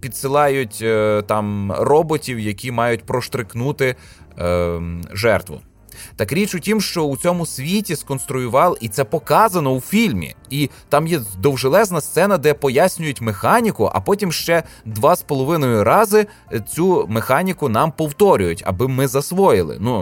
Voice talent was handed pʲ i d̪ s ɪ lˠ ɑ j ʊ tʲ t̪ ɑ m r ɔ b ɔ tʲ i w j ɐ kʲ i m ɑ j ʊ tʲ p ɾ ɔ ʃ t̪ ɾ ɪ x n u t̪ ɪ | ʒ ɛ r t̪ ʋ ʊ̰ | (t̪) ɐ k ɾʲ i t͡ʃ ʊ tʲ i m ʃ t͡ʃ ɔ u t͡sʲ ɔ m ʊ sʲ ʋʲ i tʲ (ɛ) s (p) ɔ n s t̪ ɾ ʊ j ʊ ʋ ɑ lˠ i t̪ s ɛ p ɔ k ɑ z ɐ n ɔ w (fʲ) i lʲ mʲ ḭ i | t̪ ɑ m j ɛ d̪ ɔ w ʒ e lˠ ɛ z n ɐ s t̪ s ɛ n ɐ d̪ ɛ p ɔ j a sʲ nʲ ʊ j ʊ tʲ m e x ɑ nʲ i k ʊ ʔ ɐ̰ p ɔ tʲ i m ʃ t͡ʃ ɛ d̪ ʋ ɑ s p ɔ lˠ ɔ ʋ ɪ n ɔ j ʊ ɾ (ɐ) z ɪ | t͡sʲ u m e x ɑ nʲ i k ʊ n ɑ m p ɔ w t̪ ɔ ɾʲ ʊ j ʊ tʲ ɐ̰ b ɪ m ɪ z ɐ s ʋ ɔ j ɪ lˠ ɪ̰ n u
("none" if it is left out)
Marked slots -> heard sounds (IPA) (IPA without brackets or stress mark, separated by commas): t̪, i, k, fʲ, ɑ